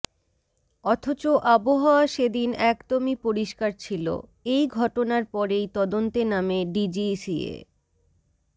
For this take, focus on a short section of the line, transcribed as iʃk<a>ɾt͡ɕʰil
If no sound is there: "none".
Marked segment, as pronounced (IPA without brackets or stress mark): a